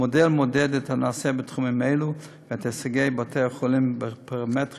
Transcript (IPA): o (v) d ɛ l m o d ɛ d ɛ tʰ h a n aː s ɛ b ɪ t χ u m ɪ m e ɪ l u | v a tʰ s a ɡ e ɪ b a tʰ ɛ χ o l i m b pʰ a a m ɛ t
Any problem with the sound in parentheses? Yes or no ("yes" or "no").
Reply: yes